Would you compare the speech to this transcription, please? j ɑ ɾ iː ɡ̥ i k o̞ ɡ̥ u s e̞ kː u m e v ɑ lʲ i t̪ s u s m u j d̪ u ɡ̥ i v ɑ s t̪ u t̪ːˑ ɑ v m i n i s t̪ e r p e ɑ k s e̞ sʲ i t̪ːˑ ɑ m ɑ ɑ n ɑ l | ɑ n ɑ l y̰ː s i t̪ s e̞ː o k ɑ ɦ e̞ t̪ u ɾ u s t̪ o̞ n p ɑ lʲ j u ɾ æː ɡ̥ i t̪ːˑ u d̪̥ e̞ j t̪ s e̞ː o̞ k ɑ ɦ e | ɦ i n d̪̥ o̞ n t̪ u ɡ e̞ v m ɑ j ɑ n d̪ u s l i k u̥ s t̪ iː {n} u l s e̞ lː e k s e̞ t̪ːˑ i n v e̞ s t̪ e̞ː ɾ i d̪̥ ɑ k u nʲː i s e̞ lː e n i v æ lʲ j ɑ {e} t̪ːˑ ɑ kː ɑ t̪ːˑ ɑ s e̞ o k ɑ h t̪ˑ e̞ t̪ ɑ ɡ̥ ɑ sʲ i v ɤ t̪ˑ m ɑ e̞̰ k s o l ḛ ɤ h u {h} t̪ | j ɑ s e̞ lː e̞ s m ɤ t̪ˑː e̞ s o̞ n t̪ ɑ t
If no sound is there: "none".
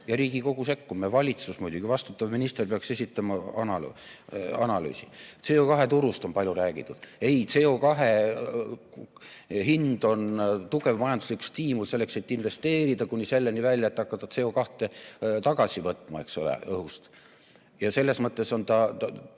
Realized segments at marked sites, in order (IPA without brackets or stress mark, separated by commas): m, e, s